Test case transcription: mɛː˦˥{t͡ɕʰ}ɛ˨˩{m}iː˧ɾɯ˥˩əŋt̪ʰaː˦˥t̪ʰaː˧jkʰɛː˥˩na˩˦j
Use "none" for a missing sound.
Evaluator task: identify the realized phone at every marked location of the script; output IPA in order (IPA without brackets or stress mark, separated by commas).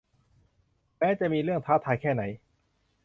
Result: t͡ɕ, m